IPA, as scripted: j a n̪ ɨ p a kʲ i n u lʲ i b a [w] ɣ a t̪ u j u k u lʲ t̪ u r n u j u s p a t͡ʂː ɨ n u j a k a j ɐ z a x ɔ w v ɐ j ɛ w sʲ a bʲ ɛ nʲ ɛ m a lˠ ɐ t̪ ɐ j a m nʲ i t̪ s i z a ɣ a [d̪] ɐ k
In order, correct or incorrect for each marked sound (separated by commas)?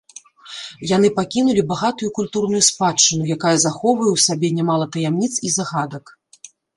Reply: incorrect, correct